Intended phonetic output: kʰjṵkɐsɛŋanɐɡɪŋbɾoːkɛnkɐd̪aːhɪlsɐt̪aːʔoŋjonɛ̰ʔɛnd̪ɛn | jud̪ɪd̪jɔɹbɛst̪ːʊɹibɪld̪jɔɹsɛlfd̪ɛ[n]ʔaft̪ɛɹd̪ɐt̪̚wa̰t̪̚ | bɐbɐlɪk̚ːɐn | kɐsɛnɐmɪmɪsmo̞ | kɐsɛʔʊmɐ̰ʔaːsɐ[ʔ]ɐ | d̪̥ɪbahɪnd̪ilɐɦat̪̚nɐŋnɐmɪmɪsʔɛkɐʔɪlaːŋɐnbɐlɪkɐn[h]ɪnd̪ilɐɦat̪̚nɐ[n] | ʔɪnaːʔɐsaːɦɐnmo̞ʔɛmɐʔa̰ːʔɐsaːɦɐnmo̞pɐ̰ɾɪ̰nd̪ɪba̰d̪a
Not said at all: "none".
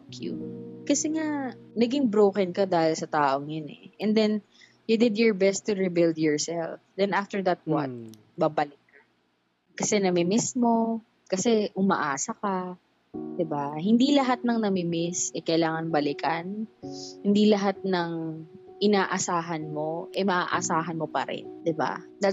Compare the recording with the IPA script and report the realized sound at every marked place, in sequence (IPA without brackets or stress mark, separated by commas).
n, k, h, ŋ